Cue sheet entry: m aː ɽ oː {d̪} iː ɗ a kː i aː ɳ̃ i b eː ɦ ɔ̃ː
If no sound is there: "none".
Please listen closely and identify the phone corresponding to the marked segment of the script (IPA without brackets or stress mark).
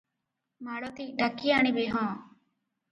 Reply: t̪